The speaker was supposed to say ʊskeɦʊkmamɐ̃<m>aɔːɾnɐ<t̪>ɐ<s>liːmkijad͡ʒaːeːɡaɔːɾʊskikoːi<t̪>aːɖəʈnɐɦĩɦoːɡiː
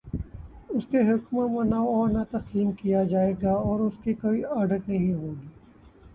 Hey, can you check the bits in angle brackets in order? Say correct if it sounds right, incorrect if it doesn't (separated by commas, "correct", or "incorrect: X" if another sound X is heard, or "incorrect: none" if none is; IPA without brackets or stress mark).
incorrect: n, correct, correct, incorrect: none